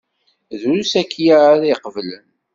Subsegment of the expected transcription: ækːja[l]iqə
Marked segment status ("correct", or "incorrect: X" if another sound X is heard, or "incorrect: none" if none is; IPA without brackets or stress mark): incorrect: ɾ